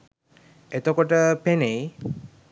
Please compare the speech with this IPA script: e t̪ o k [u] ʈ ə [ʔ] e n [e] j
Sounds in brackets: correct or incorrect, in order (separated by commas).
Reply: incorrect, incorrect, correct